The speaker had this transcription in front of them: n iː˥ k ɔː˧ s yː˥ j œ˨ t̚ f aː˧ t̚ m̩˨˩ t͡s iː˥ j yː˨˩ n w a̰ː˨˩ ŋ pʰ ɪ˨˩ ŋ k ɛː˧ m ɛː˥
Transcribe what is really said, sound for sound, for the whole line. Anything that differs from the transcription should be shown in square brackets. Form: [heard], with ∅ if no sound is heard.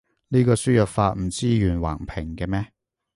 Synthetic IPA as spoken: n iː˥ k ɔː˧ s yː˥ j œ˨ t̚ f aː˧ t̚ m̩˨˩ t͡s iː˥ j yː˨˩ n w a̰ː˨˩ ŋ pʰ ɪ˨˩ ŋ k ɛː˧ m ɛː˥